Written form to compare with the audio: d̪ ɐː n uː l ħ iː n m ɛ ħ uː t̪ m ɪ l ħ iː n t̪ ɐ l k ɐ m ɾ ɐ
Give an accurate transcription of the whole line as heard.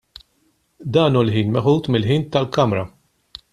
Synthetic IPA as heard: d̪ ɐː n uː l ħ iː n m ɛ ħ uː t̪ m ɪ l ħ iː n t̪ ɐ l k ɐ m ɾ ɐ